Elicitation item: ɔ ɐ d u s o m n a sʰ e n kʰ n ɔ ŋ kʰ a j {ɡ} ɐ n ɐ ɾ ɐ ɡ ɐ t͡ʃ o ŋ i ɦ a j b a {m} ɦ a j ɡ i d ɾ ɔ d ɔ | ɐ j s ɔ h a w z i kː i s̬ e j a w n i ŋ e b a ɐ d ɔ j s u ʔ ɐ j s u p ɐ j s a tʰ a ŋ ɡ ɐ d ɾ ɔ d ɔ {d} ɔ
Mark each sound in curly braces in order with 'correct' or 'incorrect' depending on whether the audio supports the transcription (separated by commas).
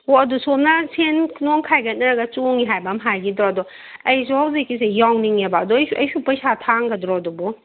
correct, correct, incorrect